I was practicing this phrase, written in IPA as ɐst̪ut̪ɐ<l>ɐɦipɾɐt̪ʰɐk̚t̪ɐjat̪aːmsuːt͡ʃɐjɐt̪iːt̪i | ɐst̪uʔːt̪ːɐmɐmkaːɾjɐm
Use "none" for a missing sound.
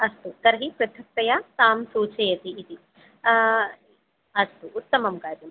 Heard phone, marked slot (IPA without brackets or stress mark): ɾ